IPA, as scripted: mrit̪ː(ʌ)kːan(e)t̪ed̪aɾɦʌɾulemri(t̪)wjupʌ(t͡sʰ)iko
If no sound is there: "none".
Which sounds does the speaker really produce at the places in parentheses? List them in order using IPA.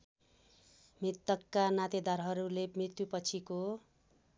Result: ʌ, a, t̪, t͡sʰ

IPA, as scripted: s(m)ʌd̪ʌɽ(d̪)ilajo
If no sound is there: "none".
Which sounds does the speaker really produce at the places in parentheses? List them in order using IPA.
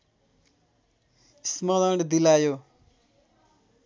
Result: m, d̪

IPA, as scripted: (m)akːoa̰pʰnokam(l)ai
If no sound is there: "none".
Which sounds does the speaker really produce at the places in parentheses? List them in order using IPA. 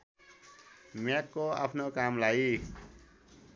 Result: m, l

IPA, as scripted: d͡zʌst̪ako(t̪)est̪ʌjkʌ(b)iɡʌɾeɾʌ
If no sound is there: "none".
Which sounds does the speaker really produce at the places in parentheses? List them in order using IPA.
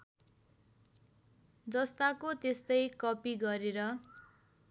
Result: t̪, p

